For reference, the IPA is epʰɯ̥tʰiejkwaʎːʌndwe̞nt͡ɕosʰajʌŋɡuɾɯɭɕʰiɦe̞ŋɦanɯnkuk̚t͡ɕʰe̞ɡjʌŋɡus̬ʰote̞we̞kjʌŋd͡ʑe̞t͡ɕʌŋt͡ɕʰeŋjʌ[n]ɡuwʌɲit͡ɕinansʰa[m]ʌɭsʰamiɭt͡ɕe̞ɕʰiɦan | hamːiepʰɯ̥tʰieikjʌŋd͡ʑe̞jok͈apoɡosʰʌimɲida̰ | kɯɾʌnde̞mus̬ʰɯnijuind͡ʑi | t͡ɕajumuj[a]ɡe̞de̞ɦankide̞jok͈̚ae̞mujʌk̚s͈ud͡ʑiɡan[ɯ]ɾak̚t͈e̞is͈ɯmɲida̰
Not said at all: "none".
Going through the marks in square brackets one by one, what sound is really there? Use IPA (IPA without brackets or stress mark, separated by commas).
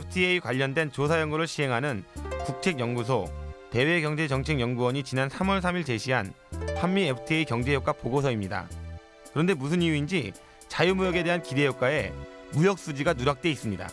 ŋ, m, ʌ, u